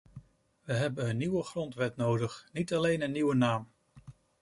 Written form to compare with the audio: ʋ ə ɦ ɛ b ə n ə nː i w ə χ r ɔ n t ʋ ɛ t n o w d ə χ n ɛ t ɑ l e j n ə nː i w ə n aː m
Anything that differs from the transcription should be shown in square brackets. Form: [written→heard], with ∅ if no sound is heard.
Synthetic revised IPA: ʋ ə ɦ ɛ b ə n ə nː i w ə χ r ɔ n t ʋ ɛ t n o w d ə χ n [ɛ→i] t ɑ l e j n ə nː i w ə n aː m